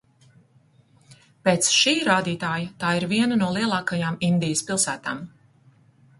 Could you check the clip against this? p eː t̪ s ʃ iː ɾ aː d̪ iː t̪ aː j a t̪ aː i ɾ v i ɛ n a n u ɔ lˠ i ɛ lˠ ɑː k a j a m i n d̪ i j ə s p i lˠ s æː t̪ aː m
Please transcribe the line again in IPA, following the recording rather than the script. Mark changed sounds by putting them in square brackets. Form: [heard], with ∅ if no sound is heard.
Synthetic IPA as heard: p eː t̪ s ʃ iː ɾ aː d̪ iː t̪ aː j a t̪ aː i ɾ v i ɛ n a n u ɔ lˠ i ɛ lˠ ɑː k a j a m i n d̪ i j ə s p i lˠ s æː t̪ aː m